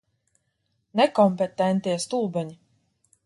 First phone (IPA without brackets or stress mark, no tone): n